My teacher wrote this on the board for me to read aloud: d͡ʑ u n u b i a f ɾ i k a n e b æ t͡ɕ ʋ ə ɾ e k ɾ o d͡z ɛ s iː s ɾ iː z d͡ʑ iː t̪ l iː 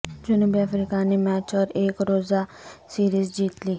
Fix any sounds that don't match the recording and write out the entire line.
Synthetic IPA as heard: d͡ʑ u n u b i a f ɾ i k a n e m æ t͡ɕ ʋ ə ɾ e k ɾ o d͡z a s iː ɾ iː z d͡ʑ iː t̪ l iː